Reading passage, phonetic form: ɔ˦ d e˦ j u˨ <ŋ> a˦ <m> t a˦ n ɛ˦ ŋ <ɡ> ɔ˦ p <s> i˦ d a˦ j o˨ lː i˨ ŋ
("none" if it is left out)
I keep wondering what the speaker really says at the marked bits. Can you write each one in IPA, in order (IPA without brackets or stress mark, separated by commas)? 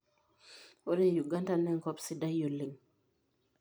ɡ, n, k, s